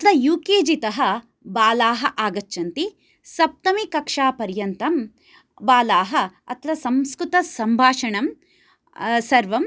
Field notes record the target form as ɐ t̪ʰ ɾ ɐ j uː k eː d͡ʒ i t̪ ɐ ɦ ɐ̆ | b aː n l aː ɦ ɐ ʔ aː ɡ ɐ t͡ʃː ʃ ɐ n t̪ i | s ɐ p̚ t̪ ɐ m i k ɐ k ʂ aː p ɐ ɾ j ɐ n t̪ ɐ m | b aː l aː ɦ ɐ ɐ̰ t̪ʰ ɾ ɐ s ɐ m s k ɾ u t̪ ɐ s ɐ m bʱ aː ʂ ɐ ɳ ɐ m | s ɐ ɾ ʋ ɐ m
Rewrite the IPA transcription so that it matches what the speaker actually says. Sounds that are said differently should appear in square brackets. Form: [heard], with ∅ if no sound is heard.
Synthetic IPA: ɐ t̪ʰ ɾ ɐ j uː k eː d͡ʒ i t̪ ɐ ɦ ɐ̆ | b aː [∅] l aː ɦ ɐ ʔ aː ɡ ɐ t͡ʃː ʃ ɐ n t̪ i | s ɐ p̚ t̪ ɐ m i k ɐ k ʂ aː p ɐ ɾ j ɐ n t̪ ɐ m | b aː l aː ɦ ɐ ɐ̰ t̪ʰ ɾ ɐ s ɐ m s k ɾ u t̪ ɐ s ɐ m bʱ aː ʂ ɐ ɳ ɐ m | s ɐ ɾ ʋ ɐ m

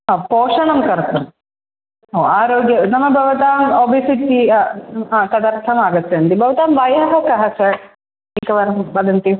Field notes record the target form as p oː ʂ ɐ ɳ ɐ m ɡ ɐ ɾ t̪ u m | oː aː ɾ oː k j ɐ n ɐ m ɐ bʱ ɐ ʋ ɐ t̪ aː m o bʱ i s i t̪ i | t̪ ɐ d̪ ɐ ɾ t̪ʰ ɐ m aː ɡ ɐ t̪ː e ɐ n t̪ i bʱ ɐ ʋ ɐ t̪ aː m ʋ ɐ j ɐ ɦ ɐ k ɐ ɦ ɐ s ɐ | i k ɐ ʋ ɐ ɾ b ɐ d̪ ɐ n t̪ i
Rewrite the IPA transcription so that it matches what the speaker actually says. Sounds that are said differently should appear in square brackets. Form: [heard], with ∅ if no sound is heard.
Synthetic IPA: p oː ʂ ɐ ɳ ɐ m [k] ɐ ɾ t̪ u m | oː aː ɾ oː [ɡ] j ɐ n ɐ m ɐ bʱ ɐ ʋ ɐ t̪ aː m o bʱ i s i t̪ i | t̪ ɐ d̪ ɐ ɾ t̪ʰ ɐ m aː ɡ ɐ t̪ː e ɐ n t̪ i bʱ ɐ ʋ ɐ t̪ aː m ʋ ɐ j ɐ ɦ ɐ k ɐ ɦ ɐ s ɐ | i k ɐ ʋ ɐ ɾ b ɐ d̪ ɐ n t̪ i

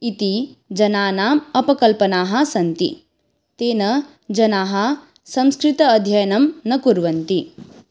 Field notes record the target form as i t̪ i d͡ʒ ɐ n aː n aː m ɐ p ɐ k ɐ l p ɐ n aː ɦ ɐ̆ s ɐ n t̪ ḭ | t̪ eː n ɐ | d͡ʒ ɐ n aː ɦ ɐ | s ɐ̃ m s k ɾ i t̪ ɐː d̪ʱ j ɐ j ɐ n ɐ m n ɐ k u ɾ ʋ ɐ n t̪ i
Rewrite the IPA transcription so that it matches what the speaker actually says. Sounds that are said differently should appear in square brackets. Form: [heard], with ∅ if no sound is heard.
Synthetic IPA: i t̪ i d͡ʒ ɐ n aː n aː m ɐ p ɐ k ɐ l p ɐ n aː ɦ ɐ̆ s ɐ n t̪ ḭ | t̪ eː n ɐ | d͡ʒ ɐ n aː ɦ ɐ | s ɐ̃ m s k ɾ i t̪ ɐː d̪ʱ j ɐ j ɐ n ɐ m n ɐ k u ɾ ʋ ɐ n t̪ i

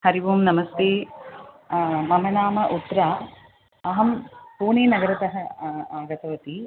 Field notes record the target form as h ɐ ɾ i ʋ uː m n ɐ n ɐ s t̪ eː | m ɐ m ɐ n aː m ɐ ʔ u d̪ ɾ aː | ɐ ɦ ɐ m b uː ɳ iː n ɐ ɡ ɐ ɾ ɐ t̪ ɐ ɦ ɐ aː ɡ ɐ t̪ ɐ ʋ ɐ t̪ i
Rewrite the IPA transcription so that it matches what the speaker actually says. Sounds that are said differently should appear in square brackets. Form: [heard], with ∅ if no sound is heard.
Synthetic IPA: h ɐ ɾ i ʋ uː m n ɐ [m] ɐ s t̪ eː | m ɐ m ɐ n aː m ɐ ʔ u [t̪] ɾ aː | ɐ ɦ ɐ m [p] uː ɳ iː n ɐ ɡ ɐ ɾ ɐ t̪ ɐ ɦ ɐ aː ɡ ɐ t̪ ɐ ʋ ɐ t̪ i

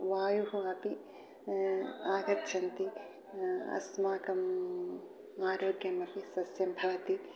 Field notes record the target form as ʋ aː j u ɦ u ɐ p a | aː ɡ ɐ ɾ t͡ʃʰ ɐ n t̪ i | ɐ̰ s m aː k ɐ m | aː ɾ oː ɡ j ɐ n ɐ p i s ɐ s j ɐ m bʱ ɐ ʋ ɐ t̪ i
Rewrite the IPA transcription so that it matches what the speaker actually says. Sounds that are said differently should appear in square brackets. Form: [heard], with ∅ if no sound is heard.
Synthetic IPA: ʋ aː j u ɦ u ɐ p [i] | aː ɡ ɐ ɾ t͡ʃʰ ɐ n t̪ i | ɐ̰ s m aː k ɐ m | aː ɾ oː ɡ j ɐ [m] ɐ p i s ɐ s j ɐ m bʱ ɐ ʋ ɐ t̪ i

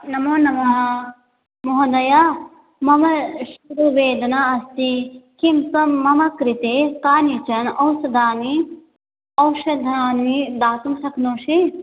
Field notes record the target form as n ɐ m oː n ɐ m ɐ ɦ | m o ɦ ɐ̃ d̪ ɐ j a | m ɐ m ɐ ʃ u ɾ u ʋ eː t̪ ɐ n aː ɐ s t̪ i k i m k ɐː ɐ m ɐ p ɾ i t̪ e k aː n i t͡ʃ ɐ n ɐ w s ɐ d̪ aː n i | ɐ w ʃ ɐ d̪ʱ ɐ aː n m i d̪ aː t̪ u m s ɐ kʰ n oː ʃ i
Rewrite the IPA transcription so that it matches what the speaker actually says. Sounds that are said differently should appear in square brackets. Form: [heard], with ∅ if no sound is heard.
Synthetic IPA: n ɐ m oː n ɐ m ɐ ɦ | m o ɦ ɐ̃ d̪ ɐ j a | m ɐ m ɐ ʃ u ɾ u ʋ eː [d̪] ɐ n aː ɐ s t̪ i k i m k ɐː ɐ m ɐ [k] ɾ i t̪ e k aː n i t͡ʃ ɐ n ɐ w s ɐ d̪ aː n i | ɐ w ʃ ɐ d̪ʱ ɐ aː n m i d̪ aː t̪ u m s ɐ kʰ n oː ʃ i

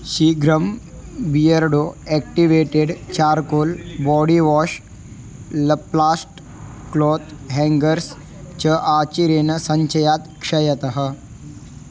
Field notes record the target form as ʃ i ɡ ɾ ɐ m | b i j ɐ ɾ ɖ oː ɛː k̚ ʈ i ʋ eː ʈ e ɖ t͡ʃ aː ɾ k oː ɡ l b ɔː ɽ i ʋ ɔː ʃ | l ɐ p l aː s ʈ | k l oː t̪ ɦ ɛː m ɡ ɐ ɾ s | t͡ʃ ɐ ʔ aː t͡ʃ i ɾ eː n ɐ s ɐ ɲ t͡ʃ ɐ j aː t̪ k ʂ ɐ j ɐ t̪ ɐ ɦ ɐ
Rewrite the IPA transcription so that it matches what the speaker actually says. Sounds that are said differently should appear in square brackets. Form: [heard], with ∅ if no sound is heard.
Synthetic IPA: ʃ i ɡ ɾ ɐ m | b i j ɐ ɾ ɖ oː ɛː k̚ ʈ i ʋ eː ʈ e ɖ t͡ʃ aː ɾ k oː [∅] l b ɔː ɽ i ʋ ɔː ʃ | l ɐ p l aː s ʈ | k l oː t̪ ɦ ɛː [ŋ] ɡ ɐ ɾ s | t͡ʃ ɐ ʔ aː t͡ʃ i ɾ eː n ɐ s ɐ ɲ t͡ʃ ɐ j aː t̪ k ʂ ɐ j ɐ t̪ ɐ ɦ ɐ

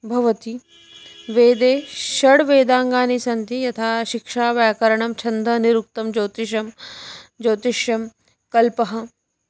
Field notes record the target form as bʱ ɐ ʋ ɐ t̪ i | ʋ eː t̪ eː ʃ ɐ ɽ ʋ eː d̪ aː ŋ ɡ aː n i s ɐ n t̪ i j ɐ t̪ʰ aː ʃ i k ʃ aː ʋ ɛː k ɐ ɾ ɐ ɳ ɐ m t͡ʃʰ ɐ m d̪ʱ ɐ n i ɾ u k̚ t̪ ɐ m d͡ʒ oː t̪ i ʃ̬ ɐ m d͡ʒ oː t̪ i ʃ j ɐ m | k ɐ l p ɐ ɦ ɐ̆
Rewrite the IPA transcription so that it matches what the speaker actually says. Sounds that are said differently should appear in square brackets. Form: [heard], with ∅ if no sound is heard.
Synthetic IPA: bʱ ɐ ʋ ɐ t̪ i | ʋ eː [d̪] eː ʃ ɐ ɽ ʋ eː d̪ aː ŋ ɡ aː n i s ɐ n t̪ i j ɐ t̪ʰ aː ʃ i k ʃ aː ʋ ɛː k ɐ ɾ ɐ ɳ ɐ m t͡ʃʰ ɐ [n] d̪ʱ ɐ n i ɾ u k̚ t̪ ɐ m d͡ʒ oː t̪ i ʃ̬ ɐ m d͡ʒ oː t̪ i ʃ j ɐ m | k ɐ l p ɐ ɦ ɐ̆

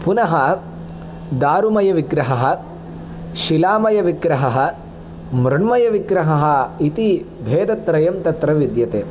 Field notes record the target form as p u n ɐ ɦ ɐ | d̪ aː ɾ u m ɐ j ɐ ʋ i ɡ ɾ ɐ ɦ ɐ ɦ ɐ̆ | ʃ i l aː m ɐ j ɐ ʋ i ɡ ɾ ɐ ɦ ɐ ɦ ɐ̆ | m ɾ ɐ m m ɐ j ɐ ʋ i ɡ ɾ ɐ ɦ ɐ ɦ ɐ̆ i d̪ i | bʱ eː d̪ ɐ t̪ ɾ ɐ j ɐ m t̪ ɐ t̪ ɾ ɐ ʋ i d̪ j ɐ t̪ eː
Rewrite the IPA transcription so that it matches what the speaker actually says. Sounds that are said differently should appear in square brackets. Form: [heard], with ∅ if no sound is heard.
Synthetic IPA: p u n ɐ ɦ ɐ | d̪ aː ɾ u m ɐ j ɐ ʋ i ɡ ɾ ɐ ɦ ɐ ɦ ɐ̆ | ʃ i l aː m ɐ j ɐ ʋ i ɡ ɾ ɐ ɦ ɐ ɦ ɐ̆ | m ɾ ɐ [ɳ] m ɐ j ɐ ʋ i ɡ ɾ ɐ ɦ ɐ ɦ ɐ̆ i [t̪] i | bʱ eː d̪ ɐ t̪ ɾ ɐ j ɐ m t̪ ɐ t̪ ɾ ɐ ʋ i d̪ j ɐ t̪ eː

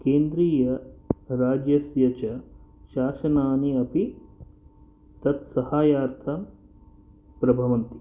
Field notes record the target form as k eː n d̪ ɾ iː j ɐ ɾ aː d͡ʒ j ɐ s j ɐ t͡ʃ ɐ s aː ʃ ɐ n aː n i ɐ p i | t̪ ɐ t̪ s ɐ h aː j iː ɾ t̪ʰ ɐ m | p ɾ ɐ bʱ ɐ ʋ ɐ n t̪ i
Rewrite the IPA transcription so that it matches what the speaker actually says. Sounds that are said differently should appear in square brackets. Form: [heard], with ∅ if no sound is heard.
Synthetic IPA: k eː n d̪ ɾ iː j ɐ ɾ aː d͡ʒ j ɐ s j ɐ t͡ʃ ɐ [ʃ] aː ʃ ɐ n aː n i ɐ p i | t̪ ɐ t̪ s ɐ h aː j [aː] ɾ t̪ʰ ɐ m | p ɾ ɐ bʱ ɐ ʋ ɐ n t̪ i

